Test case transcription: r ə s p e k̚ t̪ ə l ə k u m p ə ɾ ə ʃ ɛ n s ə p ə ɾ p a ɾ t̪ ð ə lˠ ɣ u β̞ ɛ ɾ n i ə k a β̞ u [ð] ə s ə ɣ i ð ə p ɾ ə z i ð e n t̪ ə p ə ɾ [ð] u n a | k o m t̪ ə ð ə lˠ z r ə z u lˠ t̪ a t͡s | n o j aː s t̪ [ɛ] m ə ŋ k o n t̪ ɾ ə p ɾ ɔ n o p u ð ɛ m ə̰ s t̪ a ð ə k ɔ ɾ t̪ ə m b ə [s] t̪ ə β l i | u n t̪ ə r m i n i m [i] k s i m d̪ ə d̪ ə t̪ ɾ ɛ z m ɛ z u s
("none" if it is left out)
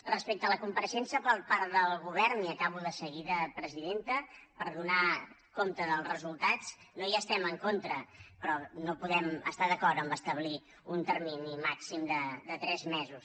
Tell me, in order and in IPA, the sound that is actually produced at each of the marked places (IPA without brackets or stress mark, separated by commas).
ð, ð, ɛ, s, a